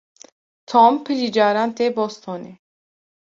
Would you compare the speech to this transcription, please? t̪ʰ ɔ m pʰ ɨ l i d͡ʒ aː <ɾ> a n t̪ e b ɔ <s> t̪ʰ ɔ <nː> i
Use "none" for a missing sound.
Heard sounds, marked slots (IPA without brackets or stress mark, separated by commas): ɾ, s, n